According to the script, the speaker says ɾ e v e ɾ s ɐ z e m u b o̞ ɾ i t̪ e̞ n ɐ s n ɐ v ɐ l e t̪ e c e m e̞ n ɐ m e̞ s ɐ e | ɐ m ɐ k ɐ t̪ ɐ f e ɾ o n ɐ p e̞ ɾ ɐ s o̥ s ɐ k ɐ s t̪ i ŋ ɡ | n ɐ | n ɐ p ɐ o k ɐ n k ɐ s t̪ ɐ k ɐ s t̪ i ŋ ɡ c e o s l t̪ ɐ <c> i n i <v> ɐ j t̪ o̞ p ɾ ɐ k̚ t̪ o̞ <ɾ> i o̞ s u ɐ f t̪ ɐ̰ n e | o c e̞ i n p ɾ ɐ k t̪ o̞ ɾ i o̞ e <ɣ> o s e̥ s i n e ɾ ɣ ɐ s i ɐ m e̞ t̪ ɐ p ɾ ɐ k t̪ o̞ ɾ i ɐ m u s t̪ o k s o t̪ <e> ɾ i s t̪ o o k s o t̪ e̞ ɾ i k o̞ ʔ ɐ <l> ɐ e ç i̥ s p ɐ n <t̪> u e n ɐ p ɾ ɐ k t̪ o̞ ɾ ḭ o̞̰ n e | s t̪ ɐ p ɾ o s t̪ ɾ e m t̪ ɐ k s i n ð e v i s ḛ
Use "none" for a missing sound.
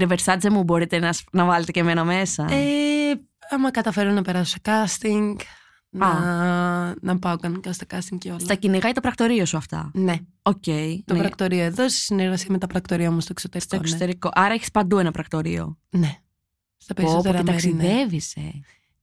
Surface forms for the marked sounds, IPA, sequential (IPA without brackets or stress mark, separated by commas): c, ɣ, ɾ, ð, e, ɾ, d̪